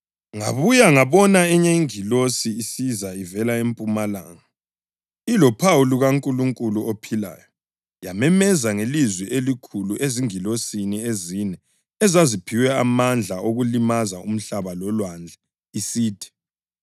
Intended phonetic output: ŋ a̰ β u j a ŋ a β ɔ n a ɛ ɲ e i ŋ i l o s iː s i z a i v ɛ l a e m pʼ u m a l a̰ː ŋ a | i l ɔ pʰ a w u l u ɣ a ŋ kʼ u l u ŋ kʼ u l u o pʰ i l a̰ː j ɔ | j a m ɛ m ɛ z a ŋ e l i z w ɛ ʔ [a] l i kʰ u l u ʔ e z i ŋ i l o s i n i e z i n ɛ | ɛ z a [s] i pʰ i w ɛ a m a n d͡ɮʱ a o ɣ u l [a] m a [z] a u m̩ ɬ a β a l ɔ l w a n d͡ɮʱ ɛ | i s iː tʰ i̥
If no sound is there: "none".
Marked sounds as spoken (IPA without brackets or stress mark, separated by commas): e, z, i, z